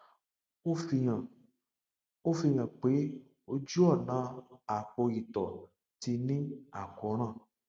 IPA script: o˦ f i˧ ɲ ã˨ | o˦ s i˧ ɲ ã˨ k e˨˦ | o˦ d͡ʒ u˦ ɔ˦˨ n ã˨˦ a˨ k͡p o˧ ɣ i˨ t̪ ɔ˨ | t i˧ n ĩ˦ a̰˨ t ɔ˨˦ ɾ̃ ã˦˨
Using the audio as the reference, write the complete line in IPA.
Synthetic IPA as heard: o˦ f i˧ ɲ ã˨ | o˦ f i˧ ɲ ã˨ k͡p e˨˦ | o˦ d͡ʒ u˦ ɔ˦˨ n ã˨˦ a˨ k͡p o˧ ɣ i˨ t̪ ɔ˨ | t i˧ n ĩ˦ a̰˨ k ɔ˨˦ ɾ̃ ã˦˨